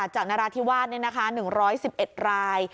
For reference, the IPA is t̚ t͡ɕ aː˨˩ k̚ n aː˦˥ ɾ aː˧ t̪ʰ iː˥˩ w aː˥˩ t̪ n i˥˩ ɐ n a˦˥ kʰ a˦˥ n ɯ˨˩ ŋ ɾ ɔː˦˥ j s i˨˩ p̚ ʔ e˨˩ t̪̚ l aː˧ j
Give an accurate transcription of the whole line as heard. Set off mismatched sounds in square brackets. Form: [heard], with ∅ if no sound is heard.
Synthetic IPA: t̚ t͡ɕ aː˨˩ k̚ n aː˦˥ ɾ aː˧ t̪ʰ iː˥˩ w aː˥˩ t̪ n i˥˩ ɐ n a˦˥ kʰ a˦˥ n ɯ˨˩ ŋ ɾ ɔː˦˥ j s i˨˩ p̚ ʔ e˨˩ t̪̚ [ɾ] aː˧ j